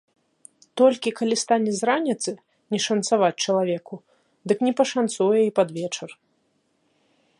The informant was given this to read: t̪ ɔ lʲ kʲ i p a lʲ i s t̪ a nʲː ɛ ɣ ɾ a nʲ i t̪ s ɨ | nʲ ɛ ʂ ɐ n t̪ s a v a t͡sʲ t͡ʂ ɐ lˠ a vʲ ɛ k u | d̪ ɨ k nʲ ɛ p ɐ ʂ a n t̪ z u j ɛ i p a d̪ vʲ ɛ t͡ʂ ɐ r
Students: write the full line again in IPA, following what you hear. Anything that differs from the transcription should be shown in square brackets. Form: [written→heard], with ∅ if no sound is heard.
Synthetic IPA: t̪ ɔ lʲ kʲ i [p→k] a lʲ i s t̪ a [nʲː→nʲ] ɛ [ɣ→z] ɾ a nʲ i t̪ s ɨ | nʲ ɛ ʂ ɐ n t̪ s a v a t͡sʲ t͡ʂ ɐ lˠ a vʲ ɛ k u | d̪ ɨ k nʲ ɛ p ɐ ʂ a n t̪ [z→s] u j ɛ i p a d̪ vʲ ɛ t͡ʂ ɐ r

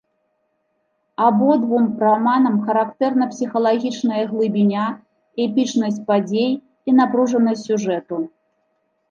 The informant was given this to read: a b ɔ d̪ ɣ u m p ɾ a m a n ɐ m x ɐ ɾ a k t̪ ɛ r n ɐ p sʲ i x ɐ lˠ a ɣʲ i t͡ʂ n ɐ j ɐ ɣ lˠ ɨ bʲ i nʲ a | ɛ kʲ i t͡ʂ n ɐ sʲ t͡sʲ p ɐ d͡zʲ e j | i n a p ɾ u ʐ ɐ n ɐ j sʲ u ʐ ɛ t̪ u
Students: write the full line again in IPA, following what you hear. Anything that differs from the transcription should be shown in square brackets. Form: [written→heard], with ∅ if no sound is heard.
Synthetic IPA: a b ɔ d̪ [ɣ→v] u m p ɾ a m a n ɐ m x ɐ ɾ a k t̪ ɛ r n ɐ p sʲ i x ɐ lˠ a ɣʲ i t͡ʂ n ɐ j ɐ ɣ lˠ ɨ bʲ i nʲ a | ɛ [kʲ→pʲ] i t͡ʂ n ɐ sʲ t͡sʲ p [ɐ→a] d͡zʲ e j | i n a p ɾ u ʐ ɐ n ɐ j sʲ u ʐ ɛ t̪ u

